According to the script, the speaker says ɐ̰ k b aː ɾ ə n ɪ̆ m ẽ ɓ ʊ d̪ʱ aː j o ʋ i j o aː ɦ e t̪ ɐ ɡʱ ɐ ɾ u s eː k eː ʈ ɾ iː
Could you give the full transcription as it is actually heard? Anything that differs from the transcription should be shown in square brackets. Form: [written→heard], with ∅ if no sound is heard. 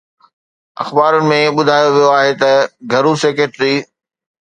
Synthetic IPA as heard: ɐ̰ [k→x] b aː ɾ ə n ɪ̆ m ẽ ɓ ʊ d̪ʱ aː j o ʋ i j o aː ɦ e t̪ ɐ ɡʱ ɐ ɾ u s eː k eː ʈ ɾ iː